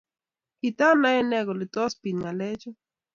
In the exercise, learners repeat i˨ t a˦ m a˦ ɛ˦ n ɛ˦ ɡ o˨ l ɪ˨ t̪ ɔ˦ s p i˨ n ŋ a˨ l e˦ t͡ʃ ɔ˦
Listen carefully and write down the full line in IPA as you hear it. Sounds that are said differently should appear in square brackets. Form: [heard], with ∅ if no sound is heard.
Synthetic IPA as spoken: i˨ t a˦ [n] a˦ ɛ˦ n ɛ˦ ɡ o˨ l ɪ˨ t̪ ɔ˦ s p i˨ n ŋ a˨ l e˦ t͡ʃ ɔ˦